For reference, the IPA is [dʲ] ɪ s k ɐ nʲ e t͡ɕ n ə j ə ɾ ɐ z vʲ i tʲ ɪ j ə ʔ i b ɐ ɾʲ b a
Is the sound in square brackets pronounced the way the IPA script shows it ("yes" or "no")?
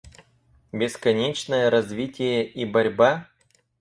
no